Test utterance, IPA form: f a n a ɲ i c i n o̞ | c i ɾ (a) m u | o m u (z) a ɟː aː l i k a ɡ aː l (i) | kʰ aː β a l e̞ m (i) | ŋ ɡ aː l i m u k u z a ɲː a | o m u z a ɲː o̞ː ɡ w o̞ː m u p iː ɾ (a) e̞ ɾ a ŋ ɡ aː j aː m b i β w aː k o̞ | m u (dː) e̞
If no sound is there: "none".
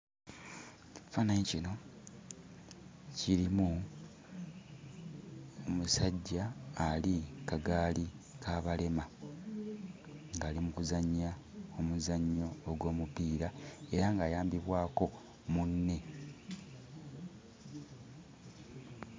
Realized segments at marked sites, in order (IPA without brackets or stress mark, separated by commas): i, s, i, a, a, nː